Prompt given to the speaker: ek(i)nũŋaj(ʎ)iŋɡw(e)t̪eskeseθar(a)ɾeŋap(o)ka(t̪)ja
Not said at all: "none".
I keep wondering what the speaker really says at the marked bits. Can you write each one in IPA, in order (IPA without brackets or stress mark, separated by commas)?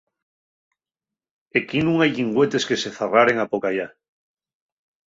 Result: i, ʎ, e, a, o, none